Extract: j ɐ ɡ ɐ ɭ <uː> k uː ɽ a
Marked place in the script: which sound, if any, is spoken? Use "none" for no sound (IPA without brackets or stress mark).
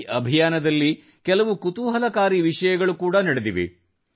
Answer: u